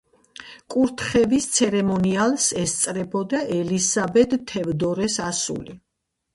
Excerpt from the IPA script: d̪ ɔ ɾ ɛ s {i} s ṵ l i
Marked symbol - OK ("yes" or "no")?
no